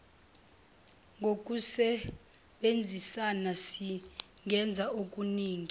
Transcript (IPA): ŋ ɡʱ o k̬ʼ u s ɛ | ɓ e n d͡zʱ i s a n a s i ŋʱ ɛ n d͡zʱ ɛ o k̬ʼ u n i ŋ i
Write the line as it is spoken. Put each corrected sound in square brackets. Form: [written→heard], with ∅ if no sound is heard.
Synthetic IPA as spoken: ŋ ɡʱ o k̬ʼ u s ɛ | ɓ e n d͡zʱ i s a n a s i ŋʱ ɛ n d͡zʱ [ɛ→a] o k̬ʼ u n [i→iː] ŋ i